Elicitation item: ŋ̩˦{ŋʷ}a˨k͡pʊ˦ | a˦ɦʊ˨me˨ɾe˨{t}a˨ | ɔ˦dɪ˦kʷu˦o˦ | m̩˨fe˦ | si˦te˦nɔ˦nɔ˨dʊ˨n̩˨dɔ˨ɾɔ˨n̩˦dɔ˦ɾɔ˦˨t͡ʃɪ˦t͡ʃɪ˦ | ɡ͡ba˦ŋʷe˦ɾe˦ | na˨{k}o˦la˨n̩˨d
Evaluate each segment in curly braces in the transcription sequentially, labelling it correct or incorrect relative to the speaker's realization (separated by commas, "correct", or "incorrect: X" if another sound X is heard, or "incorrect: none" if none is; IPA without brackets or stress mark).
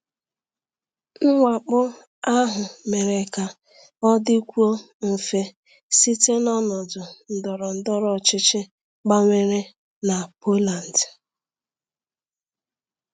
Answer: correct, incorrect: k, incorrect: p